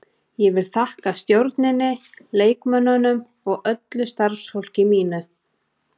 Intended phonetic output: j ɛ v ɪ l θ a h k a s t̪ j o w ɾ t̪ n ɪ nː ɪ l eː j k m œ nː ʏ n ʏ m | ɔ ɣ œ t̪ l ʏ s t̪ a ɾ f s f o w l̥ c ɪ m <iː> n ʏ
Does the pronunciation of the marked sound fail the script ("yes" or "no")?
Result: no